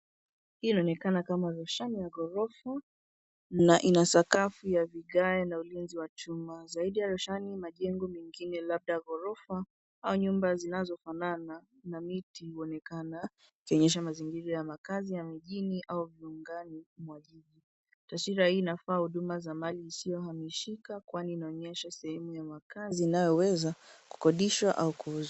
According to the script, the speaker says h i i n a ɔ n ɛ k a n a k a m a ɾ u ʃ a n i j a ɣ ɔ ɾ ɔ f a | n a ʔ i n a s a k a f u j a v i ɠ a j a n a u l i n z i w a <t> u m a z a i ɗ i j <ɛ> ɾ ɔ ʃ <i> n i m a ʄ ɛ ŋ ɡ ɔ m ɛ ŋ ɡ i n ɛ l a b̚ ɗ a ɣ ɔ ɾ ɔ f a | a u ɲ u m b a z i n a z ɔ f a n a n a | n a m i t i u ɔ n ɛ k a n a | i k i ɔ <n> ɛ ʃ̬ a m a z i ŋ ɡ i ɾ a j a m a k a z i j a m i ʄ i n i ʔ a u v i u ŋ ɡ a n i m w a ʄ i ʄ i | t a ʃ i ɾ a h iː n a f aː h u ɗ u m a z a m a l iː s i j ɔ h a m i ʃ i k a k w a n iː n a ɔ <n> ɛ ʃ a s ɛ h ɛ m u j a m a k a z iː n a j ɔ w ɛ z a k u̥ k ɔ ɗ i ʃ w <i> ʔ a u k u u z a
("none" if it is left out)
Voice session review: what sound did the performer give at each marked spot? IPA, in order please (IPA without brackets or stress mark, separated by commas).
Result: t͡ʃ, a, a, ɲ, ɲ, a